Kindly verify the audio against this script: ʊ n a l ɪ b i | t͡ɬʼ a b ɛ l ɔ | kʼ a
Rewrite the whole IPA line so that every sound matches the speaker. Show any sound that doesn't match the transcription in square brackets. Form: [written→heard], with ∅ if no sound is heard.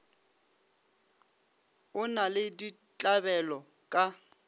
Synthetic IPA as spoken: ʊ n a l ɪ [b→d] i | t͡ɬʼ a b ɛ l ɔ | kʼ a